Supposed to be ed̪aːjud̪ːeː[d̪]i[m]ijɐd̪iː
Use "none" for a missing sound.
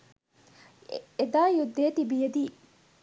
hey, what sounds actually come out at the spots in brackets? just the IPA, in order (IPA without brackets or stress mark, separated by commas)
t̪, b